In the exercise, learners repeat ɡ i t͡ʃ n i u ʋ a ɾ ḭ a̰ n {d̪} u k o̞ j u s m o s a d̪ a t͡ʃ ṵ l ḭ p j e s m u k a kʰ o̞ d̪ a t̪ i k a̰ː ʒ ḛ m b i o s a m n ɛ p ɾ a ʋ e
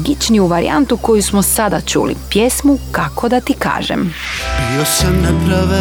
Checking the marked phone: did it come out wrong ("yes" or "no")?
yes